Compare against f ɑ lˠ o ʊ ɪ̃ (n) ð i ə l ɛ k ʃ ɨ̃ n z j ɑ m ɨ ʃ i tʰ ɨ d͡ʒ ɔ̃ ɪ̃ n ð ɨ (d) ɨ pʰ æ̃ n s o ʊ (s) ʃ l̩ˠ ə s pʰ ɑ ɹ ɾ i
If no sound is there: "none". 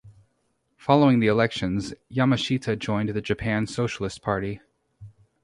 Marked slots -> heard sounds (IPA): ŋ, d͡ʒ, none

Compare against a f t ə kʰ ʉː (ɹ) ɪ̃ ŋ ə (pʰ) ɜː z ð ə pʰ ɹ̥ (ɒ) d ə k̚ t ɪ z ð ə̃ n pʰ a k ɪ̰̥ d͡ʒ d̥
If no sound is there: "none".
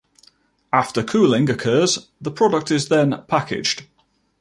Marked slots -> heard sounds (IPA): l, kʰ, ɒ

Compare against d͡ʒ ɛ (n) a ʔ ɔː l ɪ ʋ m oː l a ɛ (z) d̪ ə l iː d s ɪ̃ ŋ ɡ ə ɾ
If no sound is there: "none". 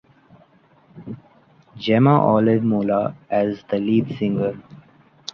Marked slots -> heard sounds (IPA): m, z

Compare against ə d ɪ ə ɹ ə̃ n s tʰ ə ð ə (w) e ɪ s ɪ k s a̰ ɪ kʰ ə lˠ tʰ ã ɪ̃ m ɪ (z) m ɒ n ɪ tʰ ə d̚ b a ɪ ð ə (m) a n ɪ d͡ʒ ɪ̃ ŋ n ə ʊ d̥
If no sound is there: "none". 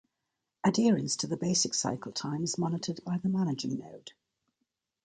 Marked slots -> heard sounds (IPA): b, z, m

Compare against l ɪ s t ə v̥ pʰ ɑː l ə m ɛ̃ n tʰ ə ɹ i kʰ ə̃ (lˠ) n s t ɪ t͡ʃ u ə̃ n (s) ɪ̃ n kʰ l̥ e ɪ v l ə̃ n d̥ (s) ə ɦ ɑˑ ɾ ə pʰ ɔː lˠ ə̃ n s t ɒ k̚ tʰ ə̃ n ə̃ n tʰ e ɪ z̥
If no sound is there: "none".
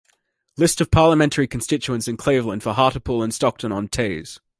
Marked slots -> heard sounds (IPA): none, s, f

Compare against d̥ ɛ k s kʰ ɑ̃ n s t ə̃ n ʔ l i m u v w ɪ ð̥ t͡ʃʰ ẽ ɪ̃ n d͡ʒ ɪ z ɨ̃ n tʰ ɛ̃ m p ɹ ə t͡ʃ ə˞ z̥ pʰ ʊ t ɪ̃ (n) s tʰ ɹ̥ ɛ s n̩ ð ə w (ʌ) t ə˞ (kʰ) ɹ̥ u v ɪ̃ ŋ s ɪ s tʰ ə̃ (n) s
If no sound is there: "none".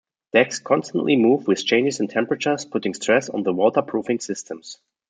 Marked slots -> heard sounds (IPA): ŋ, ɔ, pʰ, m

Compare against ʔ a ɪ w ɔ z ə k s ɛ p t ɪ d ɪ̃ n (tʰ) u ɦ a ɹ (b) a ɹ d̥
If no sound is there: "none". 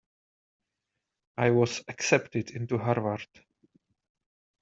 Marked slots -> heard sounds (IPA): t, v

